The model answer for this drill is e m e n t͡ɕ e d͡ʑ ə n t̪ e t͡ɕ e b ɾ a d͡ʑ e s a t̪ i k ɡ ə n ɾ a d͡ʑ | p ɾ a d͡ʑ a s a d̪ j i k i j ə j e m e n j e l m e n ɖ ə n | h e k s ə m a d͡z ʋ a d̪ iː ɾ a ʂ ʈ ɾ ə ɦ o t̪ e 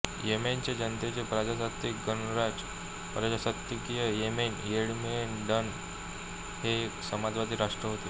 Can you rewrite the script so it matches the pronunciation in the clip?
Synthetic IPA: e m e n t͡ɕ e d͡ʑ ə n t̪ e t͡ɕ e p ɾ a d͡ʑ a s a t̪ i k ɡ ə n ɾ a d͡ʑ | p ɾ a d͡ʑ a s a t̪ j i k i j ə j e m e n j e ɽ m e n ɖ ə n | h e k s ə m a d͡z ʋ a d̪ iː ɾ a ʂ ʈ ɾ ə ɦ o t̪ e